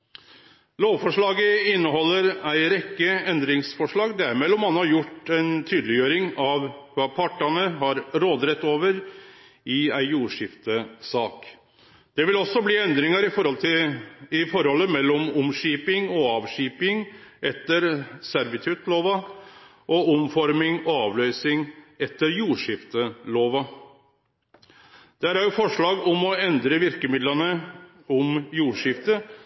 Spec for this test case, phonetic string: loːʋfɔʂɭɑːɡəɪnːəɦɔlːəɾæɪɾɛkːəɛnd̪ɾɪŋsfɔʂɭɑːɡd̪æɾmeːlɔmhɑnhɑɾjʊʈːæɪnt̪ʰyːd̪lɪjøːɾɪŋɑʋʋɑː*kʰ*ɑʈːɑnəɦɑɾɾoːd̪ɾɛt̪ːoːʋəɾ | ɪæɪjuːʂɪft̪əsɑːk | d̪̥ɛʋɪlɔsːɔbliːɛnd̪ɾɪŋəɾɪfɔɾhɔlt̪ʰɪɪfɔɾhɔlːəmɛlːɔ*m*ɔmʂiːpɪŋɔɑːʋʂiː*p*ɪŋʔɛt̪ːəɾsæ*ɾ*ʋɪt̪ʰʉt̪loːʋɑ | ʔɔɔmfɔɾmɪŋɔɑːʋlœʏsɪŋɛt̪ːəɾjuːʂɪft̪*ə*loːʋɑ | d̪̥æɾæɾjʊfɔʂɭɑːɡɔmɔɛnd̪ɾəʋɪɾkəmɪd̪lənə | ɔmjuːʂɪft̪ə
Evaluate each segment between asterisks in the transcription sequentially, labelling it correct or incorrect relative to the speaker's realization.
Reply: incorrect, correct, correct, correct, correct

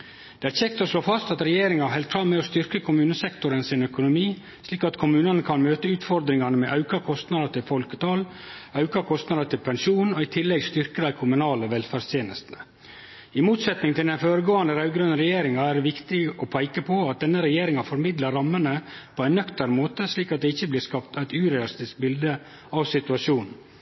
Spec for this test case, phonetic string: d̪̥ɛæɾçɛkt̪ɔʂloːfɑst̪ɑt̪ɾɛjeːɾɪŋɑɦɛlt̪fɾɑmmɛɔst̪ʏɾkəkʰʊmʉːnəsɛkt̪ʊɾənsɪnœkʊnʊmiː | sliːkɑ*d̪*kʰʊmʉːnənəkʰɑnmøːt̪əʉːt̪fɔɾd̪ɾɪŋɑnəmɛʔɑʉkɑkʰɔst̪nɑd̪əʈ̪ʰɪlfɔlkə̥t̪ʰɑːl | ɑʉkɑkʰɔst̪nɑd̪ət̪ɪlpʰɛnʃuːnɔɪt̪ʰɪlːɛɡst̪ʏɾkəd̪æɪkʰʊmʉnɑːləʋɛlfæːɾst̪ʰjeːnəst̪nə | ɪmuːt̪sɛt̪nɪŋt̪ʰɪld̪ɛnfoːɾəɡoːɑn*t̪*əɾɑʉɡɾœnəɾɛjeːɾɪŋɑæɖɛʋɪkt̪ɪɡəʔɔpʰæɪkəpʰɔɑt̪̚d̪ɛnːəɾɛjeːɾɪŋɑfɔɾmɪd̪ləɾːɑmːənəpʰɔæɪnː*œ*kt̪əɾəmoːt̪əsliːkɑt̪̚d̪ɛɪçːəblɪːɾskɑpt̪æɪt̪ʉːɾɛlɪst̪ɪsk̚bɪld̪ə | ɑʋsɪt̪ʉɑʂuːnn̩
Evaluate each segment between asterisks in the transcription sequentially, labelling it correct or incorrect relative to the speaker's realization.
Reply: incorrect, incorrect, correct

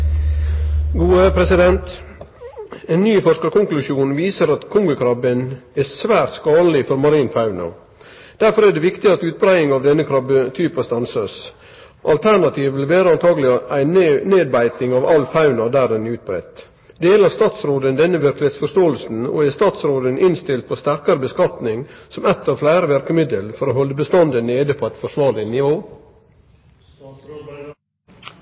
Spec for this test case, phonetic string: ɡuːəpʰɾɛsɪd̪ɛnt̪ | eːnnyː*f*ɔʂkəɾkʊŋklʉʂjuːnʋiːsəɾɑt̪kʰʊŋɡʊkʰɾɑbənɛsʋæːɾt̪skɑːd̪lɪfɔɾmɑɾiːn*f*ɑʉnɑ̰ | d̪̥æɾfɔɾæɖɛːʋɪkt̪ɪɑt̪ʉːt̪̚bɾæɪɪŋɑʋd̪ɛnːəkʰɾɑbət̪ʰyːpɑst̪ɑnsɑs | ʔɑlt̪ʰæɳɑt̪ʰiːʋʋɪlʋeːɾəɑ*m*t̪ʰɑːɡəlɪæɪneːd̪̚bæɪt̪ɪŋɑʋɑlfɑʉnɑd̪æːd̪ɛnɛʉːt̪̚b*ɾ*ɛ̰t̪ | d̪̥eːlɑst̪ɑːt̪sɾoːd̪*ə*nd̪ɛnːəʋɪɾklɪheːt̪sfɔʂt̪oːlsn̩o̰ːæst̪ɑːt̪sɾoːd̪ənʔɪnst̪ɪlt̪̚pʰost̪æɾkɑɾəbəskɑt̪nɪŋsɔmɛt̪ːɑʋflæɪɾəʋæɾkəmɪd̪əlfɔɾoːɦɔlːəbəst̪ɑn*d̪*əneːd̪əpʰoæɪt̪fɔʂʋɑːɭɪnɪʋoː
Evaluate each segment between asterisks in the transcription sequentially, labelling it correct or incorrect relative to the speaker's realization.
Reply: correct, correct, incorrect, correct, correct, correct

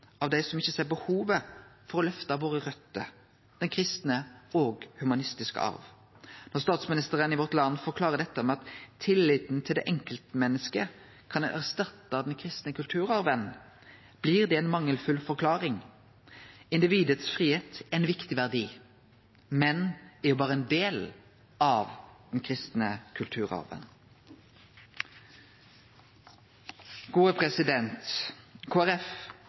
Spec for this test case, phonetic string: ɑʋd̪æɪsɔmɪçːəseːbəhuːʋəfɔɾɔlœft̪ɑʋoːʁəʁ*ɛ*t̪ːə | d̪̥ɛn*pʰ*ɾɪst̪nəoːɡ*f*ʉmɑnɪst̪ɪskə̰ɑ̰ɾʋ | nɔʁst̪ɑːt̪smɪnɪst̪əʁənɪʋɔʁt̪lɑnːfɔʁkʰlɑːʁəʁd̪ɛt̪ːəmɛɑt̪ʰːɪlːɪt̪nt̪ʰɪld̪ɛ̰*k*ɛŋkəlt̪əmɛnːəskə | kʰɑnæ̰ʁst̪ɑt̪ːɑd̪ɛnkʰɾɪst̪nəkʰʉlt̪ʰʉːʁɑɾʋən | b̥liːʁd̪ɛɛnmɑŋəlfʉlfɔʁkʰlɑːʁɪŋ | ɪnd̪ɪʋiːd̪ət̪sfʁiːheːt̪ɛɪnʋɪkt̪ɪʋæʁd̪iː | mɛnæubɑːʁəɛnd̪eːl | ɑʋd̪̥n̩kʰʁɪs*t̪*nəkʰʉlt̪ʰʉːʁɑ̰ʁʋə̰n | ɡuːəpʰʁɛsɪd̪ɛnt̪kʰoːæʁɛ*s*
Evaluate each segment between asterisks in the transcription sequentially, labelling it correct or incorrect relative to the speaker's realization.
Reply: incorrect, incorrect, incorrect, incorrect, correct, incorrect

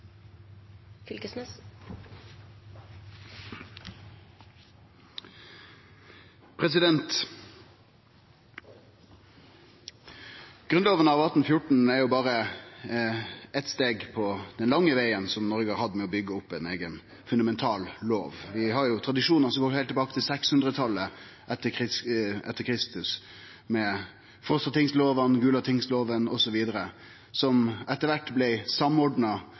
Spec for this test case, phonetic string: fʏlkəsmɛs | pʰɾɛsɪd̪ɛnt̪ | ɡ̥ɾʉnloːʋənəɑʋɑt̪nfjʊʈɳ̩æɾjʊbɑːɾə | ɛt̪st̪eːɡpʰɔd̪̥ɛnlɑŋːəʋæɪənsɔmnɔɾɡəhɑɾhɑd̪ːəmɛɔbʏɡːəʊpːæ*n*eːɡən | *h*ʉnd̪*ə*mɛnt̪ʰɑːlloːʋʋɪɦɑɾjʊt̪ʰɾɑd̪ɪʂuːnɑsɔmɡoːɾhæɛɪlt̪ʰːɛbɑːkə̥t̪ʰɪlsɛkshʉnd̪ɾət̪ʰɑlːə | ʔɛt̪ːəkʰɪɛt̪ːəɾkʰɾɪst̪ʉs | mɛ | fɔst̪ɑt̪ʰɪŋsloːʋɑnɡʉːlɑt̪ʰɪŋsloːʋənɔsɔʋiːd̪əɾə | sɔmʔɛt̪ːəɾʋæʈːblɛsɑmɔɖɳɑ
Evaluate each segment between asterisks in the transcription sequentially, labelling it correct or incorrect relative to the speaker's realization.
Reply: correct, incorrect, incorrect

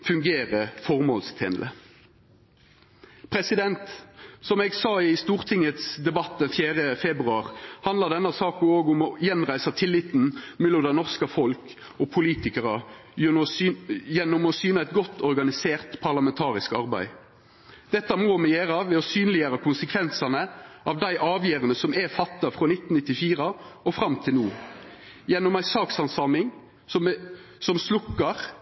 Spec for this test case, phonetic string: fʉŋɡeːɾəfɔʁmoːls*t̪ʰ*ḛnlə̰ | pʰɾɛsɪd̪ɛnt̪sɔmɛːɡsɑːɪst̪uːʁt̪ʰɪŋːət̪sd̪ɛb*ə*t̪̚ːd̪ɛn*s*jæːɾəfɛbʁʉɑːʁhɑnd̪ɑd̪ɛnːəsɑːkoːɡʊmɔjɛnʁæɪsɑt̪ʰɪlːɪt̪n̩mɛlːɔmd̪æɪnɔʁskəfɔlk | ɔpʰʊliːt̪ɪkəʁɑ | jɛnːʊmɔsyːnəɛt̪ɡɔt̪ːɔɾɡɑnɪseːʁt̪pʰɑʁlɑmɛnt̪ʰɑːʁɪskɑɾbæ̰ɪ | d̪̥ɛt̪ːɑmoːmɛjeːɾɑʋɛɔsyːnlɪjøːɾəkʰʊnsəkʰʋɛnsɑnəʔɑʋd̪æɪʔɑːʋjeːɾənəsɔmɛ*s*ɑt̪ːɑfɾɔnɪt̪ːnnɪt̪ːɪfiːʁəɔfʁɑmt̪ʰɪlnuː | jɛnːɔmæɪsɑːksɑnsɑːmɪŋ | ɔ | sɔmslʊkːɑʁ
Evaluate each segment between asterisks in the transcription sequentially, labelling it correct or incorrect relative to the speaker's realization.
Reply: correct, incorrect, incorrect, incorrect

